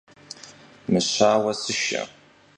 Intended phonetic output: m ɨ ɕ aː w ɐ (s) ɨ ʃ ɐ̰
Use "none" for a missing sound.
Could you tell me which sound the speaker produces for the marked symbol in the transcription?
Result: s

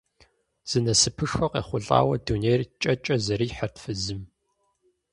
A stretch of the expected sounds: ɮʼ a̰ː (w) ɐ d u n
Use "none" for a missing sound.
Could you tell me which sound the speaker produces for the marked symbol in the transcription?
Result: w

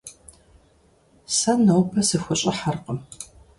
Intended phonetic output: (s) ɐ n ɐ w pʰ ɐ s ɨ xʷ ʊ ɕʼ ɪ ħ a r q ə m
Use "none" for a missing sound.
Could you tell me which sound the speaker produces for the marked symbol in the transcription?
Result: s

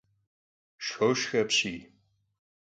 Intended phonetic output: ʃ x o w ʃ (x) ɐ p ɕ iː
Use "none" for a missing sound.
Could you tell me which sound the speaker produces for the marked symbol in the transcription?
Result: x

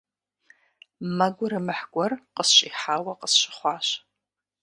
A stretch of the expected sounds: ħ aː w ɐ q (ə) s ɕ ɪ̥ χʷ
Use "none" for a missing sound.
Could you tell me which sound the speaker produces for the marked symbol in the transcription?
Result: ə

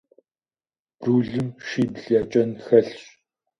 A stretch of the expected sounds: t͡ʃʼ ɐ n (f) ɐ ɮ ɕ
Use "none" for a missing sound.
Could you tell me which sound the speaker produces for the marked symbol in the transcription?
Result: x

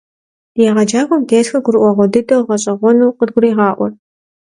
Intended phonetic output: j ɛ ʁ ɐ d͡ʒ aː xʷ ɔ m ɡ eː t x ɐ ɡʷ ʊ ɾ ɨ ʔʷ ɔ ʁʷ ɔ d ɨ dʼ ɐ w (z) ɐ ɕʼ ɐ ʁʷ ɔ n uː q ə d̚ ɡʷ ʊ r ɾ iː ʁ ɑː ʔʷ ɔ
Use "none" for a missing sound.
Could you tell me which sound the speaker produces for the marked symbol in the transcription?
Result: ʁ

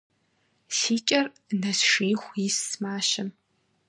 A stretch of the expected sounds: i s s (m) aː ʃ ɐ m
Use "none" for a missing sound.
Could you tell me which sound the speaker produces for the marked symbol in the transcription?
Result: m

